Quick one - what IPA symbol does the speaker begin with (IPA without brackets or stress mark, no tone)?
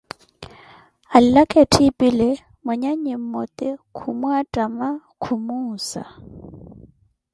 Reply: a